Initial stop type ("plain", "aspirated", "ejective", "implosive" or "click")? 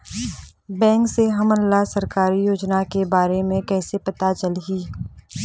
plain